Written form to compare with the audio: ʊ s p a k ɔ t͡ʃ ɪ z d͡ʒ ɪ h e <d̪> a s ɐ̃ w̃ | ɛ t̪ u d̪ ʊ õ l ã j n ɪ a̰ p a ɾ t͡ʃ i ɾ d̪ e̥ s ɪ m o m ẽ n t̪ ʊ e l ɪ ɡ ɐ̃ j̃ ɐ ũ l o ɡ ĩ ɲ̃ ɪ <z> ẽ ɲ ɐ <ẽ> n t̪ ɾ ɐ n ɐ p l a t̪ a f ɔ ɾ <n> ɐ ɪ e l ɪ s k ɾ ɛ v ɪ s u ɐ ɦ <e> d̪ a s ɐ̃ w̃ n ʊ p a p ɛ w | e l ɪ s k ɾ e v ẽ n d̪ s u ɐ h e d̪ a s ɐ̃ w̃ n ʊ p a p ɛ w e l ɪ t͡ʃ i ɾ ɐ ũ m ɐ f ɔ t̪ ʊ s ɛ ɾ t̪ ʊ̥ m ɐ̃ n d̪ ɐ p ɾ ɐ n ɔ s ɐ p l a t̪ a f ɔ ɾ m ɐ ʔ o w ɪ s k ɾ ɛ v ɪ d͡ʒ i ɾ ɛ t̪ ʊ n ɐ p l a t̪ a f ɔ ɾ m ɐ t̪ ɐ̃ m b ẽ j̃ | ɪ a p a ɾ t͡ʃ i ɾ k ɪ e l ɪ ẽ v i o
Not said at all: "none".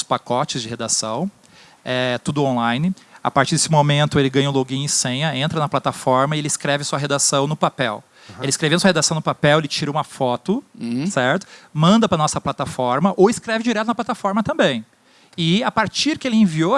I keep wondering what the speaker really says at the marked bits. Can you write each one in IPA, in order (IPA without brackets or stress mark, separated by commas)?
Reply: d̪, s, ẽ, m, e